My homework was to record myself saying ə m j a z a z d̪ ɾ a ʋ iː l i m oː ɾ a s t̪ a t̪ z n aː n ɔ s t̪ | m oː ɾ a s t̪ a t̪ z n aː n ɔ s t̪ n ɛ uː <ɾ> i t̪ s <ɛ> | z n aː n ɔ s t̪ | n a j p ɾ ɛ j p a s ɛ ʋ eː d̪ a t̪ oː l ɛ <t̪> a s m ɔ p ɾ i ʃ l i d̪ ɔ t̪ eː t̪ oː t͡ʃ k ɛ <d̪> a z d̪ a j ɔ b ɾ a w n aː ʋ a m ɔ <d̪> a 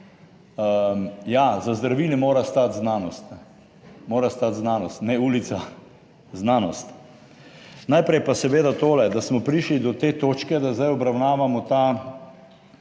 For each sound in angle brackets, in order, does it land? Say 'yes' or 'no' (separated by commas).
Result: no, no, no, yes, no